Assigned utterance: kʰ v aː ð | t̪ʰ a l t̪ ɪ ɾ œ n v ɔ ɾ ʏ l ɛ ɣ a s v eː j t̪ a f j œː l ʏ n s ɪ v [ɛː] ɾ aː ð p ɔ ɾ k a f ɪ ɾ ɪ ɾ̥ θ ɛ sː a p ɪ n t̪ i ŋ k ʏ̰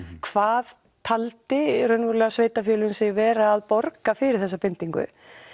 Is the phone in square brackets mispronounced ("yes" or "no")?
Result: no